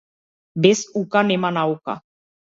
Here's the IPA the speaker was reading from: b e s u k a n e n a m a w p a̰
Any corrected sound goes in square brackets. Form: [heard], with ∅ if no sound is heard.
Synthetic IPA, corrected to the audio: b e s u k a n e [m] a [n] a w [k] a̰